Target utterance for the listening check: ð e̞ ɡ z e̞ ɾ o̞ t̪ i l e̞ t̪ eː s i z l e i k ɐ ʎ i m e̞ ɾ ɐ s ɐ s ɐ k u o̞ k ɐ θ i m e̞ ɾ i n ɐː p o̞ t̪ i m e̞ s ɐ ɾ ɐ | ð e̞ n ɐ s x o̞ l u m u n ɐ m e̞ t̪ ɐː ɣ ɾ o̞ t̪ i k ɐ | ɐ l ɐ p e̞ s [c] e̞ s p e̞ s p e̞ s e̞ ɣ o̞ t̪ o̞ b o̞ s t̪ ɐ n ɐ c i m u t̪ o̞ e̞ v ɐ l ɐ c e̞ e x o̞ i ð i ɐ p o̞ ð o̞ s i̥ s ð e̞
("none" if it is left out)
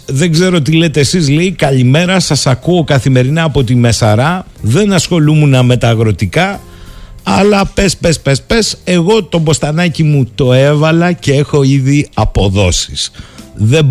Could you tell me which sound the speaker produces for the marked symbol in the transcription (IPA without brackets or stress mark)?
p